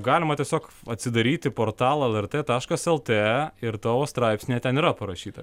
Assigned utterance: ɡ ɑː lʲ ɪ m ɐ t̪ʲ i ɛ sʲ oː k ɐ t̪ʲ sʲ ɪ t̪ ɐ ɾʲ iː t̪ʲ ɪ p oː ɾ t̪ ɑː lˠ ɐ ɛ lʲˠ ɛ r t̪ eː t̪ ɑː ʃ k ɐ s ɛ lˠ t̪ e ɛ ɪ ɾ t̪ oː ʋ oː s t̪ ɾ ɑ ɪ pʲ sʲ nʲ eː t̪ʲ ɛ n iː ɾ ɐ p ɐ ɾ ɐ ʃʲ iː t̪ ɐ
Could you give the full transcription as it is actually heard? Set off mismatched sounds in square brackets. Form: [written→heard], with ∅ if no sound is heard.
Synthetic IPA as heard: ɡ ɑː lʲ ɪ m ɐ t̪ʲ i ɛ sʲ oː k ɐ t̪ʲ sʲ ɪ [t̪→d̪] ɐ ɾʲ iː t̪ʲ ɪ p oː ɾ t̪ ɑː lˠ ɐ ɛ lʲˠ ɛ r t̪ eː t̪ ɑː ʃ k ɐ s ɛ lˠ t̪ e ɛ ɪ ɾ t̪ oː ʋ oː s t̪ ɾ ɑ ɪ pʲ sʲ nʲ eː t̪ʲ ɛ n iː ɾ ɐ p ɐ ɾ ɐ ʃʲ iː t̪ ɐ